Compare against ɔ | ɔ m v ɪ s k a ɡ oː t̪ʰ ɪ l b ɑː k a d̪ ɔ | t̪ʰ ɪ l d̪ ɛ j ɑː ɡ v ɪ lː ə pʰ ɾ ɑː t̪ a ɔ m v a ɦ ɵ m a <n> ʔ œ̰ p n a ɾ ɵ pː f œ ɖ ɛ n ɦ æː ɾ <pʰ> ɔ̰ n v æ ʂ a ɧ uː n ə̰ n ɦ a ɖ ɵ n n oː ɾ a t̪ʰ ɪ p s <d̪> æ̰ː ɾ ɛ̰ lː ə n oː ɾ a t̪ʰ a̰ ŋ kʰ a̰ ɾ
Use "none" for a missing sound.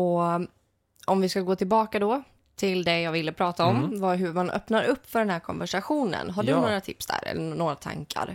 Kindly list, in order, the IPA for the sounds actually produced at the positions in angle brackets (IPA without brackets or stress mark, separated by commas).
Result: n, kʰ, d̪